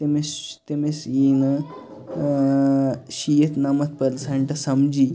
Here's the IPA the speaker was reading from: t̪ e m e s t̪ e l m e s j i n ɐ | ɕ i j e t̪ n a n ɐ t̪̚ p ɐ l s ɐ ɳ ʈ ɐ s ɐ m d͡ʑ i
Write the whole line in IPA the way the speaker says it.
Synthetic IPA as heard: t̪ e m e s t̪ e m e s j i n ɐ | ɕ i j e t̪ n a m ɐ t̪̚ p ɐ l s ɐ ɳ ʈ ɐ s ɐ m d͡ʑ i